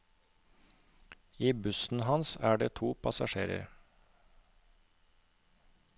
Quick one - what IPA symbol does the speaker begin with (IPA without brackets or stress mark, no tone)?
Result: iː